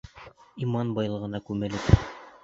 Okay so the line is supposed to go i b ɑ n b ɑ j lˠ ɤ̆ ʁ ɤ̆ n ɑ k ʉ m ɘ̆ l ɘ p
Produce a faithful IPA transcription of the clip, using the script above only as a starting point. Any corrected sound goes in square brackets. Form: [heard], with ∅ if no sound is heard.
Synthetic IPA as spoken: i [m] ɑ n b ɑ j lˠ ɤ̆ ʁ ɤ̆ n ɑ k ʉ m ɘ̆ l ɘ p